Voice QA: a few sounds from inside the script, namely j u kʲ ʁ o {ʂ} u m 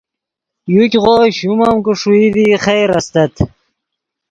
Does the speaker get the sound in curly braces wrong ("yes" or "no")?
yes